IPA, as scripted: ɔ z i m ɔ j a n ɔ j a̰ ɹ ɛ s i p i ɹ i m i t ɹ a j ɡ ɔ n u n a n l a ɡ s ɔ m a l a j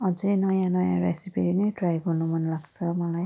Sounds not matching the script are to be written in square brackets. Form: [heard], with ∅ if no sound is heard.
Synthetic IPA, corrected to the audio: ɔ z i [n] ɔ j a n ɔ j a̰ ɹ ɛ s i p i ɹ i [n] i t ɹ a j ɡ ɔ n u [m] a n l a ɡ s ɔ m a l a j